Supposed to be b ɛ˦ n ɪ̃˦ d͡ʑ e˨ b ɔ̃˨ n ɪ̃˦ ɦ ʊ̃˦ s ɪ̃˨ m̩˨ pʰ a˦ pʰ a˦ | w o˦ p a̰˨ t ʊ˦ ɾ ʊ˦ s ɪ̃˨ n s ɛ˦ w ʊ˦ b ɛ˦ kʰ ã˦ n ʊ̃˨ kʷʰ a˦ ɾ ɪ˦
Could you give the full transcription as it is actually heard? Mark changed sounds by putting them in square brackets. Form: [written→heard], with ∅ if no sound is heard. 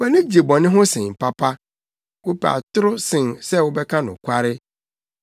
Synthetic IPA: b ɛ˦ n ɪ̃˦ d͡ʑ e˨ b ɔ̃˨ n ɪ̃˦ ɦ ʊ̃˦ s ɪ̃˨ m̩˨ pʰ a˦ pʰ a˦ | w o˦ p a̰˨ t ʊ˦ ɾ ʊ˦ s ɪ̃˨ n s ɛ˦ w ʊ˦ b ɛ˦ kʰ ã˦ n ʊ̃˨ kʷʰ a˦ ɾ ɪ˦